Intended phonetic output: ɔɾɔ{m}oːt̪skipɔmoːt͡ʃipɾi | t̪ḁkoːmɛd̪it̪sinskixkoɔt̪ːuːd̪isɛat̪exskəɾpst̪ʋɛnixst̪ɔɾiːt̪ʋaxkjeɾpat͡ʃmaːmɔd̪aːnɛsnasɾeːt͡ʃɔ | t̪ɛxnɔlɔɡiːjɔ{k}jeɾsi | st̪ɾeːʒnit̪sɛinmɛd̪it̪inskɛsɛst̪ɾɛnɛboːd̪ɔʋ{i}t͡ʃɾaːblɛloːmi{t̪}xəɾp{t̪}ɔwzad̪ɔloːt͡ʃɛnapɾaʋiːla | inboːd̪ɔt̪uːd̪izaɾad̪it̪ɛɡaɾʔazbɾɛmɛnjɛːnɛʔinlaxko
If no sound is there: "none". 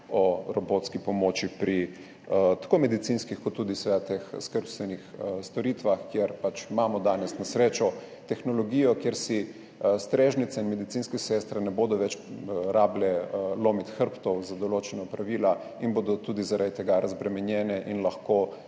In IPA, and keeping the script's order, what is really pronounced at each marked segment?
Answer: b, k, ɛ, t̪, t̪

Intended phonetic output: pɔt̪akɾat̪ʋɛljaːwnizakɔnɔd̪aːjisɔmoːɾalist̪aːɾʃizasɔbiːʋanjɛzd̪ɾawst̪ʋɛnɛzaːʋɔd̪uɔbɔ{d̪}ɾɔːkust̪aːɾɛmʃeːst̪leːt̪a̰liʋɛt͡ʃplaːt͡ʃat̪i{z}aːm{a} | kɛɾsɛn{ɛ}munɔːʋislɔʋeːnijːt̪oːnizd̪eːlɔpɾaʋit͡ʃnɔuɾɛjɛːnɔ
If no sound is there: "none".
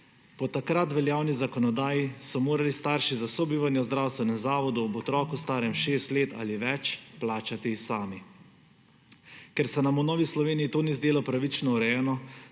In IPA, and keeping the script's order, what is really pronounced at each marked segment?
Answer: t̪, s, i, a

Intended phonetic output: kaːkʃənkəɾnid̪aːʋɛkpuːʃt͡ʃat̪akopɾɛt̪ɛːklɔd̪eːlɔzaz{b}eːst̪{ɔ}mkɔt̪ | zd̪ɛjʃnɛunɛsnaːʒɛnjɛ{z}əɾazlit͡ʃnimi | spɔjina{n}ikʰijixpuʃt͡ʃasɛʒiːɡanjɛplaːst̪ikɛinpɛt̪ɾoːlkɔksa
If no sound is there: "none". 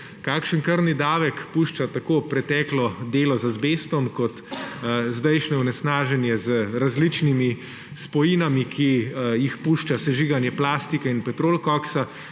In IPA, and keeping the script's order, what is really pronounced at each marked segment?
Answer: b, ɔ, z, m

